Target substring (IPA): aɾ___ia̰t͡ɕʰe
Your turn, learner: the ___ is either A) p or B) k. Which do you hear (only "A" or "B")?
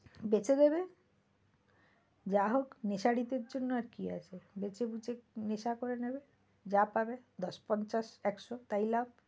B